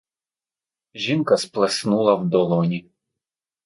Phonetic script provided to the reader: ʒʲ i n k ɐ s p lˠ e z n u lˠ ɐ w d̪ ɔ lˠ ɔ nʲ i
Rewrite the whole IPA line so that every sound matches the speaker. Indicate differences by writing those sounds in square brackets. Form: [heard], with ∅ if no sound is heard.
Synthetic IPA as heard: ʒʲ i n k ɐ s p lˠ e [s] n u lˠ ɐ w d̪ ɔ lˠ ɔ nʲ i